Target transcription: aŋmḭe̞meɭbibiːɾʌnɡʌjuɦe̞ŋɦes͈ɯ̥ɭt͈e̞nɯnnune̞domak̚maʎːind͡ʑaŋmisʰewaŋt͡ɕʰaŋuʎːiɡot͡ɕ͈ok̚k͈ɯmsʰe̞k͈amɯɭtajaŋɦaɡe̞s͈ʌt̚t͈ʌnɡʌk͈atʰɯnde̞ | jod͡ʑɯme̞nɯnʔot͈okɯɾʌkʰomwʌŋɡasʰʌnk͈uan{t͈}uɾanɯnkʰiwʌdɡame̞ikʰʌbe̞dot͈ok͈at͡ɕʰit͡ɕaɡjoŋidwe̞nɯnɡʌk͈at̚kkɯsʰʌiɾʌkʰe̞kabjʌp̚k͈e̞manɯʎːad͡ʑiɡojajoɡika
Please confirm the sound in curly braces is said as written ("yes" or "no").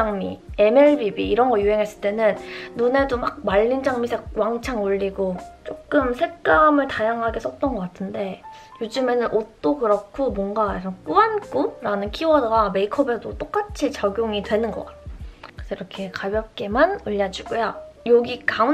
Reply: no